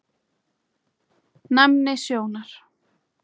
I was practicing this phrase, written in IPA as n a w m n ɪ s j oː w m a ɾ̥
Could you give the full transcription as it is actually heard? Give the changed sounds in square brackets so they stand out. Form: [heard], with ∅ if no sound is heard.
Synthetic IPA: n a [∅] m n ɪ s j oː w [n] a ɾ̥